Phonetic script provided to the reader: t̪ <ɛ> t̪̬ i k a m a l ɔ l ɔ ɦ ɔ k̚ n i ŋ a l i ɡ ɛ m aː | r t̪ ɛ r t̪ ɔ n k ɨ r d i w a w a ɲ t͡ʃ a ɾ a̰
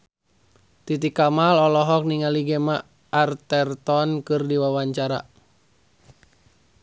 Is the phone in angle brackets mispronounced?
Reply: yes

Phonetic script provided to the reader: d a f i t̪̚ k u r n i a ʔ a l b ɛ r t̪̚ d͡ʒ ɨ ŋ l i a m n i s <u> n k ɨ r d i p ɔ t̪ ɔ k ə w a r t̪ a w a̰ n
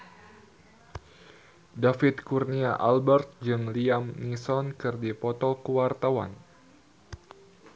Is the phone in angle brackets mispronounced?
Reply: yes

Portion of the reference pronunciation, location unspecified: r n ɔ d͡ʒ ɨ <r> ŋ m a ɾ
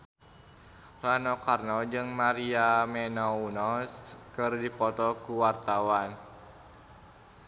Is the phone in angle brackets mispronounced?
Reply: yes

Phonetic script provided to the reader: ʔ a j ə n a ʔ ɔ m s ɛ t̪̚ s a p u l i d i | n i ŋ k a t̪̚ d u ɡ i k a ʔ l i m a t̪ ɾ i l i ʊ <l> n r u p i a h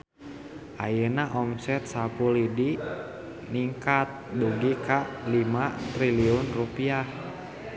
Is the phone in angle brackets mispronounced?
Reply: yes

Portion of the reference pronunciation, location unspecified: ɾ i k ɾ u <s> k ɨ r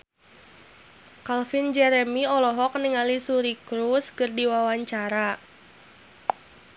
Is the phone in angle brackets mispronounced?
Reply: no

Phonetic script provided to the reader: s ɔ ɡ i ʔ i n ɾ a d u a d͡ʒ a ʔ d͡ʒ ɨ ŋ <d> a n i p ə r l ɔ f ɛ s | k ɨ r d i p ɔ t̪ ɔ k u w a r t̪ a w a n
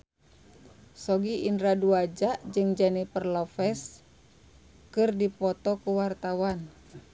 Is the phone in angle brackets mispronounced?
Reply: yes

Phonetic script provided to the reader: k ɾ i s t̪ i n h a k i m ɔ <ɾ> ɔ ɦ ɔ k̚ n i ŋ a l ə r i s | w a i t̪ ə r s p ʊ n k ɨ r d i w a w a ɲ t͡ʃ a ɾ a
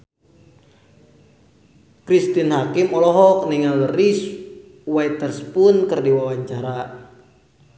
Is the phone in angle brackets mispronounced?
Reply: yes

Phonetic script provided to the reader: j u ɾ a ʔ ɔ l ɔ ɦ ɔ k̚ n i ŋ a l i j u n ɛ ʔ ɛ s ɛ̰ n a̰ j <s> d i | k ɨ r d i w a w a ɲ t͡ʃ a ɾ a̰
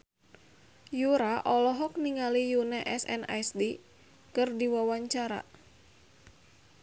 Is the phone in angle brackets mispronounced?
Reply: no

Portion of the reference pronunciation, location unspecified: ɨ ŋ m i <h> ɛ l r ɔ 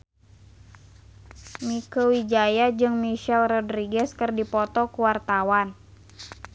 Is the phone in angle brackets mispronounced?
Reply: yes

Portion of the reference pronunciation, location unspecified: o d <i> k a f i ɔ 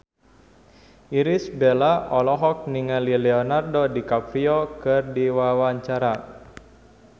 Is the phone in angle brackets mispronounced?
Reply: no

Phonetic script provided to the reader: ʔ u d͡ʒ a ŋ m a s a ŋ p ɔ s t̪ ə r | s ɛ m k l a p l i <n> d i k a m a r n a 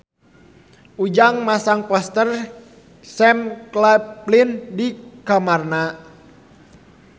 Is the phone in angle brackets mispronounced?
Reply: no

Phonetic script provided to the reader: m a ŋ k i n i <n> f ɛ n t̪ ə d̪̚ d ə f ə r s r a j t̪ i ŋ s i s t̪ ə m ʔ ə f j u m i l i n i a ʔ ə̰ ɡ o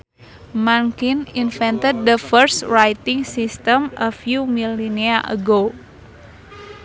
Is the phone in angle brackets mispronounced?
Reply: no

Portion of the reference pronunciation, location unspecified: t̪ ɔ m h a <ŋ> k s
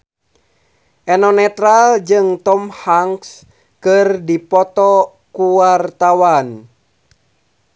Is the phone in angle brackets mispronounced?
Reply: no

